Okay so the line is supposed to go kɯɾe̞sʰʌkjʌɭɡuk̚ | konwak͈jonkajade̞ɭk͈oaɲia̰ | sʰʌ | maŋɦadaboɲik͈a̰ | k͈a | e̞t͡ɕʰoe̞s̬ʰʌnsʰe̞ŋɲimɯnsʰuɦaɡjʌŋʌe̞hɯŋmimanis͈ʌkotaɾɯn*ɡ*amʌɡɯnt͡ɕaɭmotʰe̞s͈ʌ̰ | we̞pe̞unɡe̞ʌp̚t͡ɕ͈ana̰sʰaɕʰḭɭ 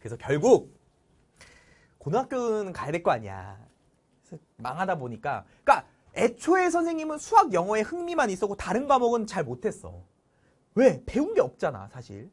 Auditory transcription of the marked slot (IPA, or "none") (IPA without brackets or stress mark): ɡ